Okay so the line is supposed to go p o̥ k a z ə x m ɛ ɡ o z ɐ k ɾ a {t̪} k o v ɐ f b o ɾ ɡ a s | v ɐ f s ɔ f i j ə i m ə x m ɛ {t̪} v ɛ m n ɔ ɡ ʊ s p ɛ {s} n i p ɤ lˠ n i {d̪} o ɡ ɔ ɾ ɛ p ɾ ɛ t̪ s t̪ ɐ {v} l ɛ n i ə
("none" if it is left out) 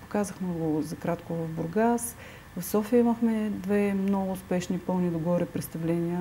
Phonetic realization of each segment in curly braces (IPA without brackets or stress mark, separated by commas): t̪, d̪, ʃ, d̪, v